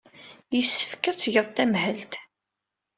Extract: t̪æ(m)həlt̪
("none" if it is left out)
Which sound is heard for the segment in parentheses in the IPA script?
m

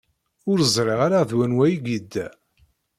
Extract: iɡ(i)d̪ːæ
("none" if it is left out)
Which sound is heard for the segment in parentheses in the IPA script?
i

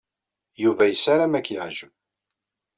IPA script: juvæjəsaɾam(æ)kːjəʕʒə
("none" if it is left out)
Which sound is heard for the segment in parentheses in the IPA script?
æ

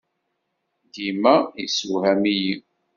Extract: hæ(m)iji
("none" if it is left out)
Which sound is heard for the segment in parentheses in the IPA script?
m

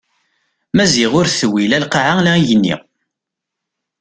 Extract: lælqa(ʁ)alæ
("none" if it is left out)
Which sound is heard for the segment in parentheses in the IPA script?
ʕ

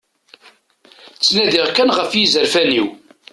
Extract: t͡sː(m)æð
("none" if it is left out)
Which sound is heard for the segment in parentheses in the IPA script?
n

